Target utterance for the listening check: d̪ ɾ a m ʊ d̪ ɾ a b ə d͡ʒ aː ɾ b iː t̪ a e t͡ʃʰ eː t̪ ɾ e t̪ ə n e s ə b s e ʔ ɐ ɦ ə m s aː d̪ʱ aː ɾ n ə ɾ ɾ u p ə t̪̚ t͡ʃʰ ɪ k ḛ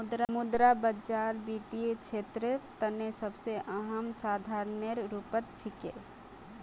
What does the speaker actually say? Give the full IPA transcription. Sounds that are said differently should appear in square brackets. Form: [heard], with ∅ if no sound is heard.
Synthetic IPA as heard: d̪ ɾ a m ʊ d̪ ɾ a b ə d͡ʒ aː ɾ b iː t̪ [i] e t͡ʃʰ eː t̪ ɾ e t̪ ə n e s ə b s e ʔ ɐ ɦ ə m s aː d̪ʱ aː ɾ n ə ɾ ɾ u p ə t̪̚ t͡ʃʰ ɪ k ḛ